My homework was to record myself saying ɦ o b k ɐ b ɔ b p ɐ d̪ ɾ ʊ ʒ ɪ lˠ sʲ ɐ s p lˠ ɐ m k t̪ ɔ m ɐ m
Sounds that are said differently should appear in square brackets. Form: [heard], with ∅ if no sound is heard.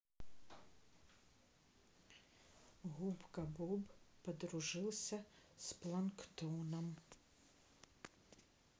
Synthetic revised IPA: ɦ [u] b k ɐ b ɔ b p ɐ d̪ ɾ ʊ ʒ ɪ lˠ sʲ ɐ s p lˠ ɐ [n] k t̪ ɔ [n] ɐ m

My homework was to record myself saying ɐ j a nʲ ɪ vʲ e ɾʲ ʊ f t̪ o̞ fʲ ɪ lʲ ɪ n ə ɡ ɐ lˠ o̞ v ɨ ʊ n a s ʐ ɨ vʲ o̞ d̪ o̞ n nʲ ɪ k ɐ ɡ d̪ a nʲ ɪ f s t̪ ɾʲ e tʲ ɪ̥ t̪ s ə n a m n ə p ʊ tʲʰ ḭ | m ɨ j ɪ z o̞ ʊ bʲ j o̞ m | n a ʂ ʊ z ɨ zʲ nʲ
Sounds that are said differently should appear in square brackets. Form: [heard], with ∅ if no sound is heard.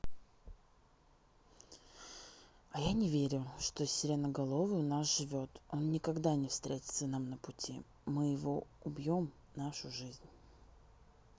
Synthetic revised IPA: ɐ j a nʲ ɪ vʲ e ɾʲ ʊ [ʂ] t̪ o̞ [sʲ] ɪ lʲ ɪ n ə ɡ ɐ lˠ o̞ v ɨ ʊ n a s ʐ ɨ vʲ o̞ [t̪] o̞ n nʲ ɪ k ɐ ɡ d̪ a nʲ ɪ f s t̪ ɾʲ e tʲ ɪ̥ t̪ s ə n a m n ə p ʊ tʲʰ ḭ | m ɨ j ɪ [v] o̞ ʊ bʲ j o̞ m | n a ʂ ʊ [ʐ] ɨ zʲ nʲ

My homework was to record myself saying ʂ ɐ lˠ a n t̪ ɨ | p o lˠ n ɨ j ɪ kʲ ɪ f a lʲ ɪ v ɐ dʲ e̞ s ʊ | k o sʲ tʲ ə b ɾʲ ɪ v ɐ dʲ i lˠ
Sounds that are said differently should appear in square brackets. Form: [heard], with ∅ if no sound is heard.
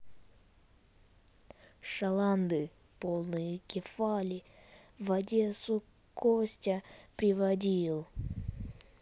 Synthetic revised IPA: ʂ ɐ lˠ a n [d̪] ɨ | p o lˠ n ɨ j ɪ kʲ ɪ f a lʲ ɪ v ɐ dʲ e̞ s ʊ | k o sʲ tʲ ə [p] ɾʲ ɪ v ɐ dʲ i lˠ

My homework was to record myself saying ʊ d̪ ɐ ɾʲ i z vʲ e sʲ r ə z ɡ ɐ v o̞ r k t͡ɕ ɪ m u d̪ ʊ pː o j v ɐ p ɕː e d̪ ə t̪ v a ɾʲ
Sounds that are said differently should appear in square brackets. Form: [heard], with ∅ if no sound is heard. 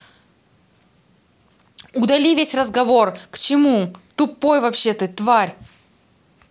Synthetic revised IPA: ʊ d̪ ɐ [lʲ] i [∅] vʲ e sʲ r ə z ɡ ɐ v o̞ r k t͡ɕ ɪ m u [t̪] ʊ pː o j v ɐ p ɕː e [t̪] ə t̪ v a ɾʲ

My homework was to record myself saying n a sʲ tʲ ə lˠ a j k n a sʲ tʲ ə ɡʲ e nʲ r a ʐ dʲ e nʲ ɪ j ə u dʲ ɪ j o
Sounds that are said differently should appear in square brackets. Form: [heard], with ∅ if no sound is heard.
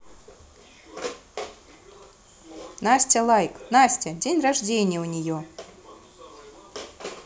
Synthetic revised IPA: n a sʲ tʲ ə lˠ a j k n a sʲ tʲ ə [dʲ] e nʲ r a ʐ dʲ e nʲ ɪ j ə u [nʲ] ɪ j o

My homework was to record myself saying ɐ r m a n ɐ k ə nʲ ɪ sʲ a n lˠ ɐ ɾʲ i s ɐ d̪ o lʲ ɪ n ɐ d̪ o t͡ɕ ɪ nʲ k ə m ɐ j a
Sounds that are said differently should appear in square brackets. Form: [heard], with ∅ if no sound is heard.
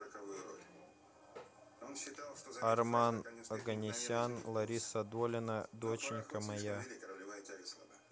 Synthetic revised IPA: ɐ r m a n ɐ [ɡ] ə nʲ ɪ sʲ a n lˠ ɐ ɾʲ i s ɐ d̪ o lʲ ɪ n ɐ d̪ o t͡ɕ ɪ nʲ k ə m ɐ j a

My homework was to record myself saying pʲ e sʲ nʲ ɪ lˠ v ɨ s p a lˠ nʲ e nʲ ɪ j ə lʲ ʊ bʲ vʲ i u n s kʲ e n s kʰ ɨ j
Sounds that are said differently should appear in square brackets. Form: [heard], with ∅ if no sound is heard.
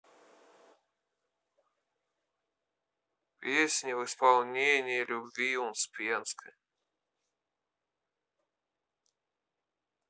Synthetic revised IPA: pʲ e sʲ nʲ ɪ [∅] v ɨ s p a lˠ nʲ e nʲ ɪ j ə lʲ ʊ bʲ vʲ i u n s [pʲ] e n s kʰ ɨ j

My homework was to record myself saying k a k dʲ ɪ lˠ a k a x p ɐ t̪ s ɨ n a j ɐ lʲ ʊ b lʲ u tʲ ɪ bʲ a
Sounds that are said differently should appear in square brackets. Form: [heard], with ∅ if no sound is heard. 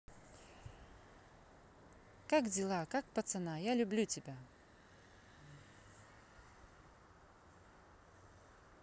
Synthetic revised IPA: k a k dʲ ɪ lˠ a k a [k] p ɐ t̪ s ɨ n a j [a] lʲ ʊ b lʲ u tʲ ɪ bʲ a

